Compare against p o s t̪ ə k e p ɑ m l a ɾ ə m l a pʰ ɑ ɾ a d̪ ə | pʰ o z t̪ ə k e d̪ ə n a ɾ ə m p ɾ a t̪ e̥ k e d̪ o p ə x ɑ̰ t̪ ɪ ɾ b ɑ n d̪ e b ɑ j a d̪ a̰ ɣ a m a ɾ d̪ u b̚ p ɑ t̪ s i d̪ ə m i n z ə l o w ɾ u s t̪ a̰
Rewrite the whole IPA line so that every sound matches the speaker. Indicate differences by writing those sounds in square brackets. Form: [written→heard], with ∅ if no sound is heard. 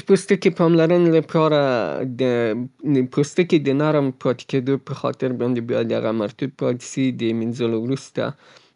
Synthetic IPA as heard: p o s t̪ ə k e p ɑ m l a ɾ ə [m→n] l a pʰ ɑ ɾ a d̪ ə | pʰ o [z→s] t̪ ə k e d̪ ə n a ɾ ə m p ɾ [a→ɑ] t̪ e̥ k e d̪ o p ə x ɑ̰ t̪ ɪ ɾ b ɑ n d̪ e b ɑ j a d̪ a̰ ɣ a m a ɾ [d̪→t̪] u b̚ p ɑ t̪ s i d̪ ə m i n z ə l o w ɾ u s t̪ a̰